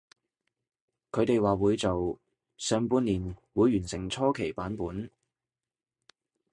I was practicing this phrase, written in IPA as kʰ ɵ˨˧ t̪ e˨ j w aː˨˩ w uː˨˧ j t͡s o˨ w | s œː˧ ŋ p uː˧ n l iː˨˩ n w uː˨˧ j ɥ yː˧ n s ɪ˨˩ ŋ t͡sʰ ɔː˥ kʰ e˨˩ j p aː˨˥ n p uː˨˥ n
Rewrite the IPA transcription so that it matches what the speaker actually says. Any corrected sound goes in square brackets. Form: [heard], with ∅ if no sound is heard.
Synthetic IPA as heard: kʰ ɵ˨˧ t̪ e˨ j w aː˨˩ w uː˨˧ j t͡s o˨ w | s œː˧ ŋ p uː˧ n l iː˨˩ n w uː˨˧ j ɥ [yː˨˩] n s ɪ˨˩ ŋ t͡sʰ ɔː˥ kʰ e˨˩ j p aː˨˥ n p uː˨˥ n